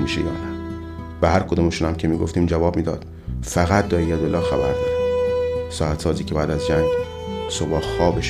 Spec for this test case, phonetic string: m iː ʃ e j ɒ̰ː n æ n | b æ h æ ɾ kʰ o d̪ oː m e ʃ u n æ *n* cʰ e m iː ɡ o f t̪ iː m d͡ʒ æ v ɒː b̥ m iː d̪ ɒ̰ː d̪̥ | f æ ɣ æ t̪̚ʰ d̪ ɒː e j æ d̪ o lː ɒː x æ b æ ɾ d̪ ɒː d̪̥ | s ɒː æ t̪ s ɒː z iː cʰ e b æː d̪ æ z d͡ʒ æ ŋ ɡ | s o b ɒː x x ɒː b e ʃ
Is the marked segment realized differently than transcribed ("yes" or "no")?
yes